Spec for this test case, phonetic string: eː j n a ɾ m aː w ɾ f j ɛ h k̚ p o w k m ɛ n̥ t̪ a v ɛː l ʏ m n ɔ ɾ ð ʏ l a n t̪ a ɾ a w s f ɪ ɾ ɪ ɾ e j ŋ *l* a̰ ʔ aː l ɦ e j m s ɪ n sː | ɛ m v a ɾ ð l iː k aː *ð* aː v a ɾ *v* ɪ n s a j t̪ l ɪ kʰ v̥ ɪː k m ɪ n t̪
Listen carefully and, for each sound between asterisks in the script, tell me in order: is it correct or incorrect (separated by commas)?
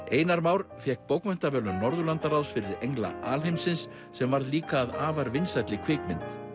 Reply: correct, correct, correct